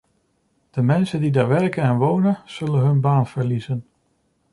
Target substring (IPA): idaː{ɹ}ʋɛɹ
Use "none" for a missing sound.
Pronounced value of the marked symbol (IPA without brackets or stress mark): ɹ